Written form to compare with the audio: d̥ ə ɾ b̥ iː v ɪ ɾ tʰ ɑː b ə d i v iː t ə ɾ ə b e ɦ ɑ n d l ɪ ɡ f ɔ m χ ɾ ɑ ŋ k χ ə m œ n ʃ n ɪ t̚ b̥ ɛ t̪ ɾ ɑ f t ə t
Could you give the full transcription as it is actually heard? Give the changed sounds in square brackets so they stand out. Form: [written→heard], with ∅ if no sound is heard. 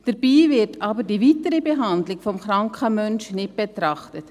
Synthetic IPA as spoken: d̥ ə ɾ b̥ iː v ɪ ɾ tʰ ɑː b ə d i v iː t ə ɾ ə b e ɦ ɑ n d l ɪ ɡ f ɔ m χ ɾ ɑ ŋ k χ ə m œ n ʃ n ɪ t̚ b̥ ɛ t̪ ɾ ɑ [f→χ] t ə t